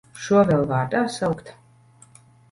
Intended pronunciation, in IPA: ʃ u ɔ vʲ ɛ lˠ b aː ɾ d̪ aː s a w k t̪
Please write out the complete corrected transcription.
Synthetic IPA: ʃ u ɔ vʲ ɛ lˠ v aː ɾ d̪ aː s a w k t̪